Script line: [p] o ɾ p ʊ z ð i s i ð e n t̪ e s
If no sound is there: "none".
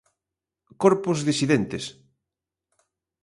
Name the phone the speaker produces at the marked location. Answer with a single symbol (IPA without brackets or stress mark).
k